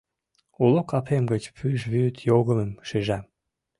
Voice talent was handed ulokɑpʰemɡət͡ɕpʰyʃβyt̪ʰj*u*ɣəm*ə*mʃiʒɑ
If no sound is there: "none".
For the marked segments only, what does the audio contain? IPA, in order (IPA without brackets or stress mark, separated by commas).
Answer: o, ə